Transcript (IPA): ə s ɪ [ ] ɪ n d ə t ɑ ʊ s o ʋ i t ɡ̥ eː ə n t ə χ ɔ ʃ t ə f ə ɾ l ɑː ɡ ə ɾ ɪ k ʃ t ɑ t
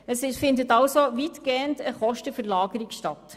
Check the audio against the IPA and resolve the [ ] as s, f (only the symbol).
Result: f